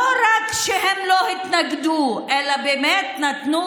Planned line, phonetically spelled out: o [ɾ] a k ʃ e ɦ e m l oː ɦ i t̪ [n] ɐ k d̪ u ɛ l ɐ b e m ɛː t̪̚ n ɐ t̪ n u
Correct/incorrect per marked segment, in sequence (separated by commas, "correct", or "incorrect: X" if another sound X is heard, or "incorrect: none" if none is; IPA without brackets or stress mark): correct, correct